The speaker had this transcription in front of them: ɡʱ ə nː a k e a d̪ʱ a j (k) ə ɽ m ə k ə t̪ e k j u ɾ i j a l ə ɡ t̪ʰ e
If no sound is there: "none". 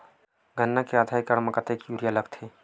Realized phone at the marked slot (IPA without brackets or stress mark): k